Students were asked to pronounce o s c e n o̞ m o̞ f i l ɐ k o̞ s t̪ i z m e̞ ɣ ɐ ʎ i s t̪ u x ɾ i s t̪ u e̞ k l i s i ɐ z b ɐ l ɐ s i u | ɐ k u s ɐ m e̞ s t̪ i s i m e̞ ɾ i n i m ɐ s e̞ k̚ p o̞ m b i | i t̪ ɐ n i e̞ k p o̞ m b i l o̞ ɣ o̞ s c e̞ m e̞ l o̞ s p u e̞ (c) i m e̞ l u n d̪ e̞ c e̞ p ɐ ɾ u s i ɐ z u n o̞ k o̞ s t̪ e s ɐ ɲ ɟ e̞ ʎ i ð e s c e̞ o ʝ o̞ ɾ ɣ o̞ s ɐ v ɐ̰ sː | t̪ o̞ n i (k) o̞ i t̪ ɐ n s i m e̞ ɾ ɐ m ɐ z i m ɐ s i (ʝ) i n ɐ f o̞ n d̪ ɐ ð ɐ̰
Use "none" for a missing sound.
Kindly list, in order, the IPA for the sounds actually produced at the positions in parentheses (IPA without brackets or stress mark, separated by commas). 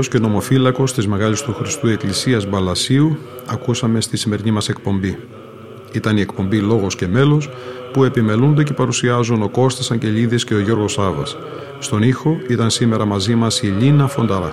p, x, ʎ